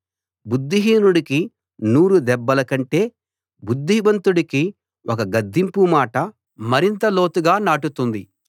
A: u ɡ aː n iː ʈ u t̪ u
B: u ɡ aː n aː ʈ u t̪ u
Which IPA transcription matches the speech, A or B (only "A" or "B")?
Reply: B